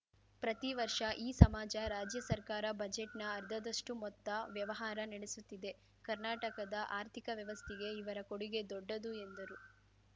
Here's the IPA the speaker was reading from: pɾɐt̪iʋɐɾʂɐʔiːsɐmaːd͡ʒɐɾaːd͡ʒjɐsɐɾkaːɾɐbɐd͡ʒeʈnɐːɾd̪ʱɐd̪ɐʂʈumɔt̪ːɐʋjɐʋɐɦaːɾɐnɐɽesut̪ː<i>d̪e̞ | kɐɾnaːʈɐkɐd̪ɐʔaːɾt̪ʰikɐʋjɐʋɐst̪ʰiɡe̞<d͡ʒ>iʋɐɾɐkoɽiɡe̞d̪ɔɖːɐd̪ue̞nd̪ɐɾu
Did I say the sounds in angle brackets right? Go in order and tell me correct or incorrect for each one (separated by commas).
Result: correct, incorrect